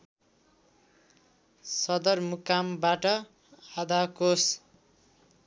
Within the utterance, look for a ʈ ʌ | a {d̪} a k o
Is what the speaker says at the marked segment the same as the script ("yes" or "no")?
yes